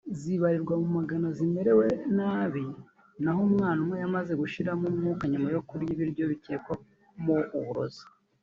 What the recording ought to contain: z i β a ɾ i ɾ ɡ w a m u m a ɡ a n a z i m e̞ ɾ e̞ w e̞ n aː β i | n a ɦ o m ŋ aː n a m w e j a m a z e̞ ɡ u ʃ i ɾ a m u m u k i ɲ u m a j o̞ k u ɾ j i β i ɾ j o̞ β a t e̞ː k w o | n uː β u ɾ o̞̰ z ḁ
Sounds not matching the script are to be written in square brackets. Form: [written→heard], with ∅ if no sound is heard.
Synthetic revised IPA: z i β a ɾ i ɾ ɡ w a m u m a ɡ a n a z i m e̞ ɾ e̞ w e̞ n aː β i | n a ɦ o m ŋ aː n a m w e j a m a z e̞ ɡ u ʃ i ɾ a m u m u k [i→a] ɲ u m a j o̞ k u ɾ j i β i ɾ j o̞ β [a→i] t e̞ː k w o | [n→m] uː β u ɾ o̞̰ z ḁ